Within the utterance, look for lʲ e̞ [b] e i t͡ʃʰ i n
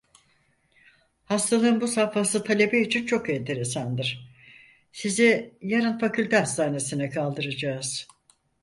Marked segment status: correct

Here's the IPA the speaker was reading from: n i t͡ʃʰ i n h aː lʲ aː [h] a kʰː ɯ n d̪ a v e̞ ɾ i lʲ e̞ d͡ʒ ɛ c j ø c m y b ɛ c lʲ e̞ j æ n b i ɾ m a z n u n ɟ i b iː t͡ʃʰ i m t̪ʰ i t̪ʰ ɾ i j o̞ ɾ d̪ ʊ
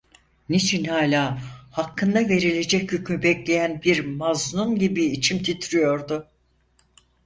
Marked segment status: correct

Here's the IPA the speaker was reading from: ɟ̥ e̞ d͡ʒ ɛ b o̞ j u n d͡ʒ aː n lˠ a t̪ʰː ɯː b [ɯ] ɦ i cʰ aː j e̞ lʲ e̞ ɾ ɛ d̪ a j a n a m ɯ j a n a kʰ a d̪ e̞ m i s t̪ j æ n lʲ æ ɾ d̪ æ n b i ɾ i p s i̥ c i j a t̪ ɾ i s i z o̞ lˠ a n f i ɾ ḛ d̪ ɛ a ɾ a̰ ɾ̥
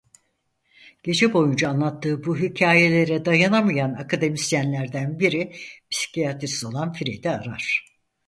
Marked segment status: incorrect: u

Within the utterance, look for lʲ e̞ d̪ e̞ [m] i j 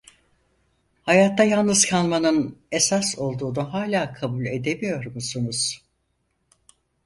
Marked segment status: correct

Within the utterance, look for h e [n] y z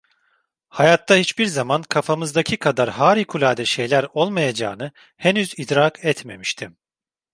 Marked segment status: correct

